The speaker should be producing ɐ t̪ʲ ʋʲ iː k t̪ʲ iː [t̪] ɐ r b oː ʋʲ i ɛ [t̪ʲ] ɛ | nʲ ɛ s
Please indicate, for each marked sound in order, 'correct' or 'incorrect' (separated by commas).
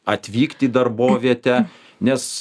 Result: incorrect, correct